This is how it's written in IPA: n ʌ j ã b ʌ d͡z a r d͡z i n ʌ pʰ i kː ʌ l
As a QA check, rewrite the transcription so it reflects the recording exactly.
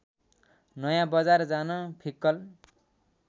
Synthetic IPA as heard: n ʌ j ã b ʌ d͡z a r d͡z a n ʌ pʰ i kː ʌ l